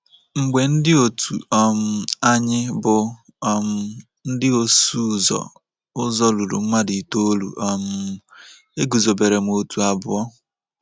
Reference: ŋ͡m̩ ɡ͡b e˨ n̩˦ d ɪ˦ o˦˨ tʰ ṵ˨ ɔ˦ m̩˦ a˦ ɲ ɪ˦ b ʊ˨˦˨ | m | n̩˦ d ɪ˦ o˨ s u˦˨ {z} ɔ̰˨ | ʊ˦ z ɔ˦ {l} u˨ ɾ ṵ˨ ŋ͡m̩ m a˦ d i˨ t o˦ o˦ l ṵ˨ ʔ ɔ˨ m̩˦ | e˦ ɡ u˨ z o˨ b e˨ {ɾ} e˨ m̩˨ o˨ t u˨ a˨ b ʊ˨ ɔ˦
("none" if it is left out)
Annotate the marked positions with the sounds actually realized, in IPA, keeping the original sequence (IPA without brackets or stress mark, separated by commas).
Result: z, l, ɾ